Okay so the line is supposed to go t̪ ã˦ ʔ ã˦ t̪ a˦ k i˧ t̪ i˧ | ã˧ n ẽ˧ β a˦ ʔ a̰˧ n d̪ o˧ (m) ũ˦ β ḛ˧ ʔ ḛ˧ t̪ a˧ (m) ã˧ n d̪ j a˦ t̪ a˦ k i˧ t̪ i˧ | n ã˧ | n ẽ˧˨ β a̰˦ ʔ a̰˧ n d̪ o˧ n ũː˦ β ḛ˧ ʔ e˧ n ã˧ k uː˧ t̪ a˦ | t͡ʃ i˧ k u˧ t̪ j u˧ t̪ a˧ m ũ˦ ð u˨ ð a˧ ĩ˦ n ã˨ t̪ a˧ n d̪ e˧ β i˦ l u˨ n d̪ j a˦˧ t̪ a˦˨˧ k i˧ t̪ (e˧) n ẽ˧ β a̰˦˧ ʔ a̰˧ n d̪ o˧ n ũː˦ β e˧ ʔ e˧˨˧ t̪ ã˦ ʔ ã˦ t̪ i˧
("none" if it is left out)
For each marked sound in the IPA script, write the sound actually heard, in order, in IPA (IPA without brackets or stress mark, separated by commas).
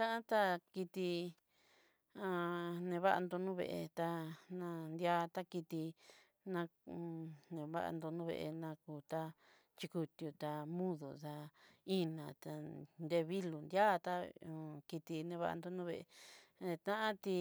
n, n, i˧